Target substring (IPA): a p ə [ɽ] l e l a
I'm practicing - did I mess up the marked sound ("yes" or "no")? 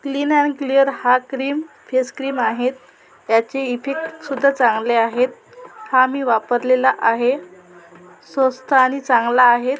yes